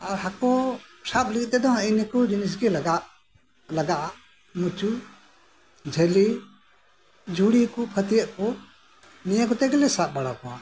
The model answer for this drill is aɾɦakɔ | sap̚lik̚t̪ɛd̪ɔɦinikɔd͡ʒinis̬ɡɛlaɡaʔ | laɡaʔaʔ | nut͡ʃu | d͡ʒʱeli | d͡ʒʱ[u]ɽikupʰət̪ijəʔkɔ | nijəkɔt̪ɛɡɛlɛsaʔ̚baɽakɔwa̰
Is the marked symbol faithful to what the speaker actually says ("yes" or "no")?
yes